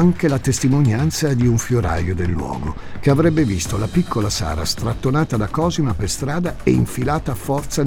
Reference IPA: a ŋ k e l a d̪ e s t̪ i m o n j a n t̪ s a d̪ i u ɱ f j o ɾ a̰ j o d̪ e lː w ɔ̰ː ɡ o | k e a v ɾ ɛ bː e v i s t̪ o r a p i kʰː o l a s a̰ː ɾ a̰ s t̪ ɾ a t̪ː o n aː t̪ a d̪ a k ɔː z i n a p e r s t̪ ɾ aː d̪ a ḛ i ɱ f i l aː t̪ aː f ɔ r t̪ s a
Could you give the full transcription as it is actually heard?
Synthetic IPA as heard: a ŋ k e l a t̪ e s t̪ i m o n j a n t̪ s a d̪ i u ɱ f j o ɾ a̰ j o d̪ e lː w ɔ̰ː ɡ o | k e a v ɾ ɛ bː e v i s t̪ o l a p i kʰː o l a s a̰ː ɾ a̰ s t̪ ɾ a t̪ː o n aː t̪ a d̪ a k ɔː z i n a p e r s t̪ ɾ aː d̪ a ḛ i ɱ f i l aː t̪ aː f ɔ r t̪ s a